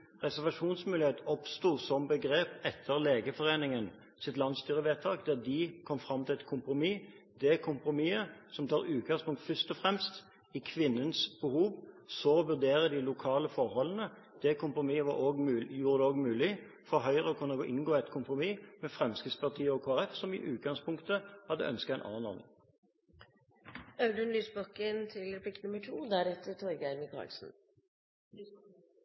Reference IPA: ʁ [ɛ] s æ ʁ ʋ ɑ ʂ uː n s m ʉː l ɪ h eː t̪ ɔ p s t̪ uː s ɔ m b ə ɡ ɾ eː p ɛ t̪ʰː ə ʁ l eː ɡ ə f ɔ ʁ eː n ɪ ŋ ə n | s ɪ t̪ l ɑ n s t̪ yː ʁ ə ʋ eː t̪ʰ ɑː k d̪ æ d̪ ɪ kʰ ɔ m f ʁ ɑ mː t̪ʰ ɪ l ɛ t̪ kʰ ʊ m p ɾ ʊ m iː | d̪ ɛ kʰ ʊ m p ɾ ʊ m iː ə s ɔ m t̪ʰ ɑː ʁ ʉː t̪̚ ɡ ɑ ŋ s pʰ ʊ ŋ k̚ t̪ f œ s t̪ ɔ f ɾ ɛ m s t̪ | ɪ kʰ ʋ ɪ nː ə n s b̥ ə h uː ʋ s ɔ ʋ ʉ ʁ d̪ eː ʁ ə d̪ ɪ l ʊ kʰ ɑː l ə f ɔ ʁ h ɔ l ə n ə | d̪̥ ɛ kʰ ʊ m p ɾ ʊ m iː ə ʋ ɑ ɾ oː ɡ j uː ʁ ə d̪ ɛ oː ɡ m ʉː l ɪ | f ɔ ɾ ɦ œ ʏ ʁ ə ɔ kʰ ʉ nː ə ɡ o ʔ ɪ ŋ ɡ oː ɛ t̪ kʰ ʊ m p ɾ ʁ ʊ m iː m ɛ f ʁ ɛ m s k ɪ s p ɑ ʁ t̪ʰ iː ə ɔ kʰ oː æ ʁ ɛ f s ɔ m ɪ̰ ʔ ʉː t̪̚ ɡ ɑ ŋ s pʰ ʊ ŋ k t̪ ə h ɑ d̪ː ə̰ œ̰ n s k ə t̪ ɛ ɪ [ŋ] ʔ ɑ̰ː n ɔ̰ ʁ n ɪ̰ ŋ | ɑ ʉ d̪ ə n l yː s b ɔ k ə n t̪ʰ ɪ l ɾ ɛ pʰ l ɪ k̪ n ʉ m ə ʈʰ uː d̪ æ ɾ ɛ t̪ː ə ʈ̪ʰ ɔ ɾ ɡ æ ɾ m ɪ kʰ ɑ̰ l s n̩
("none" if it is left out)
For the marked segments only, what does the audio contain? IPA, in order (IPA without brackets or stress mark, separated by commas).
ɛ, n